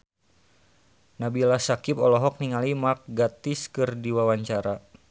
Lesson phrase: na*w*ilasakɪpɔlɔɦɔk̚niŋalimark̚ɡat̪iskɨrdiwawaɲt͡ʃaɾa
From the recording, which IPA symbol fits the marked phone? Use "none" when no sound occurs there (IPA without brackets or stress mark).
b